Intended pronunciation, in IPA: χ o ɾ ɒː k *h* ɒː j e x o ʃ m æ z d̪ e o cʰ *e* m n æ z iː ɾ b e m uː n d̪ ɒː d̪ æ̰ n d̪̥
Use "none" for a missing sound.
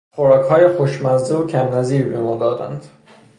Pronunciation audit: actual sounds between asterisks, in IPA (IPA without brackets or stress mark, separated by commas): h, æ